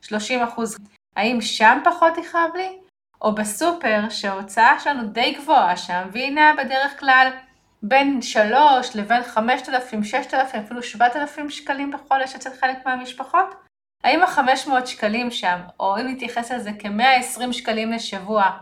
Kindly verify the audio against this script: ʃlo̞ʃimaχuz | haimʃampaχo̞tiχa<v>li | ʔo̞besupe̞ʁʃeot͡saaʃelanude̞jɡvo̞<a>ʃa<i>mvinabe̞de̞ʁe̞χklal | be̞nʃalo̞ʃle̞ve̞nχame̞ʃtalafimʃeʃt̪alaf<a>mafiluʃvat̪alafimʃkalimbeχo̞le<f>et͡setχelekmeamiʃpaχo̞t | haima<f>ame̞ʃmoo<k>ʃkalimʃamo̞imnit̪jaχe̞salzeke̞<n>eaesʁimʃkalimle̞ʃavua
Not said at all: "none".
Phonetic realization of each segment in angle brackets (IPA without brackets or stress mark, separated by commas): v, a, a, i, ʃ, χ, t, m